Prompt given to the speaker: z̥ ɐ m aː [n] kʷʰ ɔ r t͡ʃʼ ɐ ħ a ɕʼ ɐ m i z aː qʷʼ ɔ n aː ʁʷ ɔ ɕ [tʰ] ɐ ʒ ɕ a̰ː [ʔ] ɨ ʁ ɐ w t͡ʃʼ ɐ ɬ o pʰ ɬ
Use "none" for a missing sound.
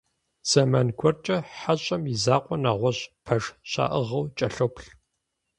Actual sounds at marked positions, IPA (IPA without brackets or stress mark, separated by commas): n, pʰ, ʔ